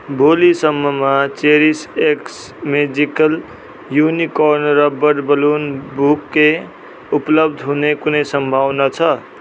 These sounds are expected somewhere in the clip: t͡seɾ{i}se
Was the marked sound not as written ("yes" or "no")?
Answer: no